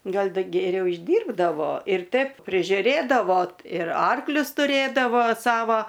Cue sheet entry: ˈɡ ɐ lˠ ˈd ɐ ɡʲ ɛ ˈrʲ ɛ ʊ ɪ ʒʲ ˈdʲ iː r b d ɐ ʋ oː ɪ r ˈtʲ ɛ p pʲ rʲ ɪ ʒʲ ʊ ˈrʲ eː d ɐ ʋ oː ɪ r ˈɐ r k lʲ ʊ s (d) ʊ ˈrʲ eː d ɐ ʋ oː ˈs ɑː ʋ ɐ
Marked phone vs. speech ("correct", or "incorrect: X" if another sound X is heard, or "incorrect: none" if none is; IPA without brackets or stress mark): incorrect: t